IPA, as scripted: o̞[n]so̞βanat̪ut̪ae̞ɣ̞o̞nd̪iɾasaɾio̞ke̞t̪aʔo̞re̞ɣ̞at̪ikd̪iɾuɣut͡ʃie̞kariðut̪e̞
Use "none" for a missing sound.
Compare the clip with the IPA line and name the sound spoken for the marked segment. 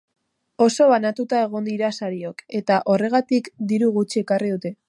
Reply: none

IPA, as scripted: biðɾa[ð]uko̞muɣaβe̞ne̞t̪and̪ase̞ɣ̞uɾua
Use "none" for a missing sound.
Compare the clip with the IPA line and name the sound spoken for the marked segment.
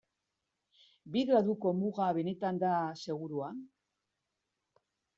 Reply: ð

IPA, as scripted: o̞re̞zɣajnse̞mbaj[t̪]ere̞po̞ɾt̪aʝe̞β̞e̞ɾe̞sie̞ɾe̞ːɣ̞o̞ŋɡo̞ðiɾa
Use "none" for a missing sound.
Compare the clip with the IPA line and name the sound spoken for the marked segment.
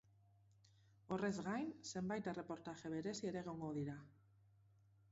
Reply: t̪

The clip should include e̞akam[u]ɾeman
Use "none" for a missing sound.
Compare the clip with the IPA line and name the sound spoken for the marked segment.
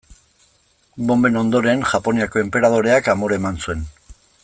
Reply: o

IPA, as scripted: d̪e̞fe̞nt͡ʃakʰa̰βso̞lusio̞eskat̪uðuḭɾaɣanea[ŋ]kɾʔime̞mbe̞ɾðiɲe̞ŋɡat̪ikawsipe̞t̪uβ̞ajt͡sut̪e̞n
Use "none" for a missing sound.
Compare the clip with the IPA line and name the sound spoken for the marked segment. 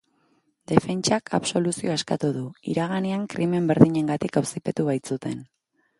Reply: ŋ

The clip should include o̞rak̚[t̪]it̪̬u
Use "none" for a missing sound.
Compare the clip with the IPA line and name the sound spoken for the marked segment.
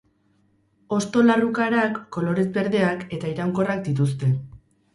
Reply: d̪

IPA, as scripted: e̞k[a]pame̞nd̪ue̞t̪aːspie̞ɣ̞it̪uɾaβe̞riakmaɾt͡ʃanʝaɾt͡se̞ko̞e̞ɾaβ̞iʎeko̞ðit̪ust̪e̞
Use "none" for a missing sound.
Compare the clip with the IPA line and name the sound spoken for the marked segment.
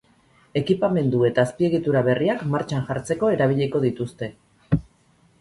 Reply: i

